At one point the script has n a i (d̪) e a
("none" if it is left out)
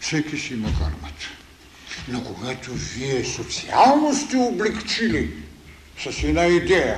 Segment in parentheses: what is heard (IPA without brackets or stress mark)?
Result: d̪